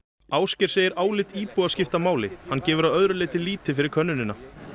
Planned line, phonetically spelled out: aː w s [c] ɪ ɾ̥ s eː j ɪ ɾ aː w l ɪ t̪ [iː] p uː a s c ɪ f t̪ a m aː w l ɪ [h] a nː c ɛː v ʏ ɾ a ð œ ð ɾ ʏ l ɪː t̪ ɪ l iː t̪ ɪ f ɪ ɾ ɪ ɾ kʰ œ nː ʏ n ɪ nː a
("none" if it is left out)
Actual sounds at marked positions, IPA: c, iː, h

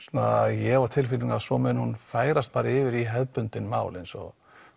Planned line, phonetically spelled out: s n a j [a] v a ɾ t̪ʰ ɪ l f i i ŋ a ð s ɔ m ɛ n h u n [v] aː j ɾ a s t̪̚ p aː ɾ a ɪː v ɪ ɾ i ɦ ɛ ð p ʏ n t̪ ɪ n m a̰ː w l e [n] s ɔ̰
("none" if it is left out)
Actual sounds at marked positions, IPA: ɛ, f, n

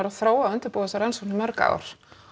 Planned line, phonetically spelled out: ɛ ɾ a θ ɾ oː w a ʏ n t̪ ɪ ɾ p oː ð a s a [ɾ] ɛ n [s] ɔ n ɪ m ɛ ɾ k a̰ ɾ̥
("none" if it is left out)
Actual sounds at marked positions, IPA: ɾ, s

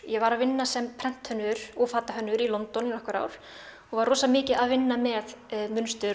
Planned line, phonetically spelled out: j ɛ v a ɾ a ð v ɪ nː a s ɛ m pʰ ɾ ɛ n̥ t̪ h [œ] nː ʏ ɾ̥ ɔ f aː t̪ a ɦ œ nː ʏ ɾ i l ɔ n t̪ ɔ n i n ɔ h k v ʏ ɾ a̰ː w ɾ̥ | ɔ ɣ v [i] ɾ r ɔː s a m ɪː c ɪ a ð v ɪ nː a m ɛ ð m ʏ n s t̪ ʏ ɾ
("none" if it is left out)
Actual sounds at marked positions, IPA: œ, a

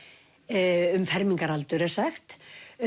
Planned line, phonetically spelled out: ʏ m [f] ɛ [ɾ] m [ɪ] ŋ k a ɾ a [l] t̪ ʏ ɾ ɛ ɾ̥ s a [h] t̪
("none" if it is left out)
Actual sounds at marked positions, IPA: f, ɾ, i, l, x

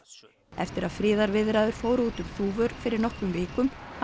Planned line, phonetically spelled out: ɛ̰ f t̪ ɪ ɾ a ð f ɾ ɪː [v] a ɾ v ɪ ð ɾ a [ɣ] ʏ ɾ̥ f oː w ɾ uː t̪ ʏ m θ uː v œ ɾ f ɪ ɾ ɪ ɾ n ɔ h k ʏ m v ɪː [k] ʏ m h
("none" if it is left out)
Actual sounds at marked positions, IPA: ð, ð, k

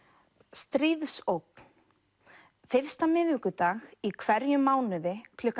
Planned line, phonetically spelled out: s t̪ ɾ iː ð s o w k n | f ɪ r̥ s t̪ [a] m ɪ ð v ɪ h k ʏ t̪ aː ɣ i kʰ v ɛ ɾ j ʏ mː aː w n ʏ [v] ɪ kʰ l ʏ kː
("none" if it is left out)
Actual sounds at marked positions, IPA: a, ð

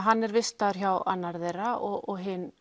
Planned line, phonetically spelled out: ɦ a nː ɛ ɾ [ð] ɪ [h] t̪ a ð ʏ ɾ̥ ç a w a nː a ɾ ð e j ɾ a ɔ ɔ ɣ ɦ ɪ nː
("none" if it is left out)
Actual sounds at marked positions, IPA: v, s

